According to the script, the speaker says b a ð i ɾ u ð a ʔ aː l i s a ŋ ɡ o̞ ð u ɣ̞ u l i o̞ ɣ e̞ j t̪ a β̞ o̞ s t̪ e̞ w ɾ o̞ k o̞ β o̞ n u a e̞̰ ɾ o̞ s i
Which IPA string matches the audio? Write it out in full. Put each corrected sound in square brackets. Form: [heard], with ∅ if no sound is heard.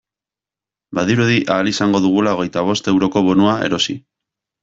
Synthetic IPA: b a ð i ɾ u ð [i] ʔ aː l i s a ŋ ɡ o̞ ð u ɣ̞ u l [a] o̞ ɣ e̞ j t̪ a β̞ o̞ s t̪ e̞ w ɾ o̞ k o̞ β o̞ n u a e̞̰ ɾ o̞ s i